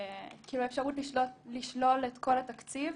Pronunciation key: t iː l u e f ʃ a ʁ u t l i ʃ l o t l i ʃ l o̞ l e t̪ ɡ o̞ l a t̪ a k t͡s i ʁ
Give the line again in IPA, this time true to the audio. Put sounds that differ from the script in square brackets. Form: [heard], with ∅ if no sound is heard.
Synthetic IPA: [k] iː l u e f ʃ a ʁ u t l i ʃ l o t l i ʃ l o̞ l e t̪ [k] o̞ l a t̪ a k t͡s i [v]